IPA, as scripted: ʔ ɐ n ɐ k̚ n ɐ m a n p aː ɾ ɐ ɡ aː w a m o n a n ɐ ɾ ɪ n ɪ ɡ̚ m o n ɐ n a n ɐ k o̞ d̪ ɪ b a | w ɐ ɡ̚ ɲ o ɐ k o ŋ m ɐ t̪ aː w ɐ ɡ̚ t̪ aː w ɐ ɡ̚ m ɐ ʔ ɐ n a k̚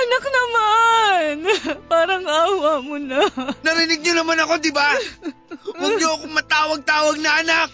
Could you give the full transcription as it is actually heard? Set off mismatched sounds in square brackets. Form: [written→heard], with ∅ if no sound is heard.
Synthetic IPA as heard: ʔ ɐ n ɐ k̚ n ɐ m a n p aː ɾ ɐ [ɡ→ŋ] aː w a m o n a n ɐ ɾ ɪ n ɪ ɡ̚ [m→ɲ] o n ɐ [n→m] a n ɐ k o̞ d̪ ɪ b a | w ɐ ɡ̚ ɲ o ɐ k o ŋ m ɐ t̪ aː w ɐ ɡ̚ t̪ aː w ɐ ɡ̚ [m→n] ɐ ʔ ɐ n a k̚